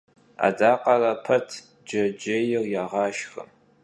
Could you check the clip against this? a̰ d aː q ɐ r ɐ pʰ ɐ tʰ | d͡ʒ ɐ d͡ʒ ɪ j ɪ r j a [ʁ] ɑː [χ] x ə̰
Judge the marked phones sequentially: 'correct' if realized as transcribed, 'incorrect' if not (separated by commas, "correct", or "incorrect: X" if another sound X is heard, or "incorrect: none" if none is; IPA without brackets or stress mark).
correct, incorrect: ʃ